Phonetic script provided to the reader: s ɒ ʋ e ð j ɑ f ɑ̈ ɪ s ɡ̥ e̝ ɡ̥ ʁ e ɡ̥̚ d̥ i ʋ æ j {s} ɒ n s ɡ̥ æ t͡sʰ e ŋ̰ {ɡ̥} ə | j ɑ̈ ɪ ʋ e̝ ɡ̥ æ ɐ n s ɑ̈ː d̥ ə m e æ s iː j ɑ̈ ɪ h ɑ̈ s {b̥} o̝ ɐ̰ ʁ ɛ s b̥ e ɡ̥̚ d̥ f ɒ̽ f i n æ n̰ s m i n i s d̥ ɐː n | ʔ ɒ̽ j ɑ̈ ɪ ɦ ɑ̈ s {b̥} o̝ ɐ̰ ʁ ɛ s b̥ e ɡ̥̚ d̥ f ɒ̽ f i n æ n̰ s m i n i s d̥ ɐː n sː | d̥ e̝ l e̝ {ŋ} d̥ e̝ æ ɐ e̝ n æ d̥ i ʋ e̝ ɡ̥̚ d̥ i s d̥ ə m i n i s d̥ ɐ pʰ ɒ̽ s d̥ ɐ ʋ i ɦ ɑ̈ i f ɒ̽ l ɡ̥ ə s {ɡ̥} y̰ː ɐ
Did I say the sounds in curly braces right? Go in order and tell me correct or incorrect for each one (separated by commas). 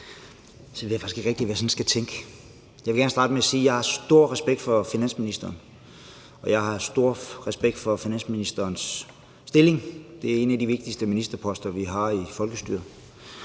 correct, correct, incorrect, incorrect, correct, incorrect